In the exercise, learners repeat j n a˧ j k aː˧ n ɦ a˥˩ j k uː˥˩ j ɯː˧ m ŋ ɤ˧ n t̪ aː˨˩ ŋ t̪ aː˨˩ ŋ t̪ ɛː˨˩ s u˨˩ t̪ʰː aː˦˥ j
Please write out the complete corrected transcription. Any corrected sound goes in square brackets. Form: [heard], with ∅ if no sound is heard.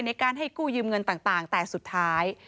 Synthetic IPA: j n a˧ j k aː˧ n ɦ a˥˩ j k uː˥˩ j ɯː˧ m ŋ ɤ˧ n t̪ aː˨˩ ŋ t̪ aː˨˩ ŋ t̪ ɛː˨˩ s u˨˩ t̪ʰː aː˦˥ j